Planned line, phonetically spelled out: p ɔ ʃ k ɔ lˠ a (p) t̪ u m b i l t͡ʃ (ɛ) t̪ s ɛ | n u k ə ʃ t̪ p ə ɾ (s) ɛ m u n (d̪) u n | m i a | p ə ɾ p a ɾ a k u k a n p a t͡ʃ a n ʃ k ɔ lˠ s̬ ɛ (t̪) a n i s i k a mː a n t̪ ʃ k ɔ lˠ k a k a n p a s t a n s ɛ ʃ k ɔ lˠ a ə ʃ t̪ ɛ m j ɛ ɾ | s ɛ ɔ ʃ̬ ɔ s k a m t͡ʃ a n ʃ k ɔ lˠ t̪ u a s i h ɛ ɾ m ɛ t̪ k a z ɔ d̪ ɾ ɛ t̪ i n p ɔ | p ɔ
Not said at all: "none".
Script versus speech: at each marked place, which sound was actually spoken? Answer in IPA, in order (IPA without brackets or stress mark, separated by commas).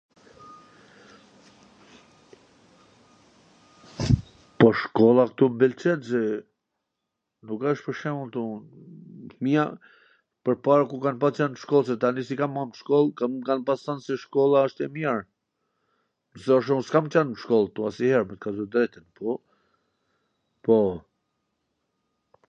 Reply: k, ɛ, ʃ, t̪, t̪